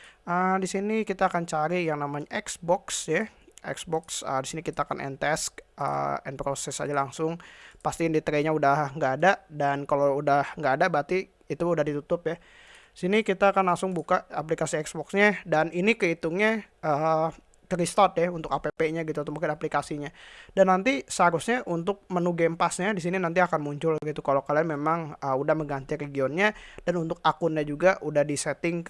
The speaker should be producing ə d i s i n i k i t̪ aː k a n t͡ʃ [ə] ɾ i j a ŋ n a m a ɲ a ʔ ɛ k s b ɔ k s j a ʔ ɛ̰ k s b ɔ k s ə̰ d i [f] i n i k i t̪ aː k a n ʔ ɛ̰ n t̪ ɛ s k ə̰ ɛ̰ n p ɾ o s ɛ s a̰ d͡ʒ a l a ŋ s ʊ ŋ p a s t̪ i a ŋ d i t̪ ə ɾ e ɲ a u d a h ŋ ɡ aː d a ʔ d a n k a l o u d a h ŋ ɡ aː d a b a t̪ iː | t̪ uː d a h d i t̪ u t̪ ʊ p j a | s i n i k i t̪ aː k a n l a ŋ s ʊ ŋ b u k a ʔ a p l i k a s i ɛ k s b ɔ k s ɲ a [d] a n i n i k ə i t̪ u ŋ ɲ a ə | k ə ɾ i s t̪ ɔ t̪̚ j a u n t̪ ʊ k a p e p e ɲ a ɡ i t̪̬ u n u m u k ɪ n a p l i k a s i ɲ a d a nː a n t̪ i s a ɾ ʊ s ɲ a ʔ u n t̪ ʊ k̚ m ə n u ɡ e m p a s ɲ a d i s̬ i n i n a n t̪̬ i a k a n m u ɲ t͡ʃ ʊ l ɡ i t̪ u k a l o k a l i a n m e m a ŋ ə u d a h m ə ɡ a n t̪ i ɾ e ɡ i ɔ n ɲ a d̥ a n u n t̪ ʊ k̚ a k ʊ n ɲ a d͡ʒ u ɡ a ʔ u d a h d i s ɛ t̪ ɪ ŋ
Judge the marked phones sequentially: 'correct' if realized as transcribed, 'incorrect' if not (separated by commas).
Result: incorrect, incorrect, correct